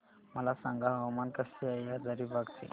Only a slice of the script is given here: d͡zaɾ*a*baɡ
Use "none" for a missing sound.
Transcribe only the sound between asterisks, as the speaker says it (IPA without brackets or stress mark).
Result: i